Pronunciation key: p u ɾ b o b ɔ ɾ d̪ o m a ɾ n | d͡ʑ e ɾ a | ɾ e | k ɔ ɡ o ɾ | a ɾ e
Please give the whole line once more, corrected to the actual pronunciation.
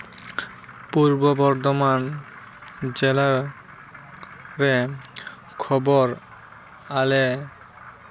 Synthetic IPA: p u ɾ b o b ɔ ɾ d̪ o m a n | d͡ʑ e l a | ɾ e | kʰ ɔ b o ɾ | a l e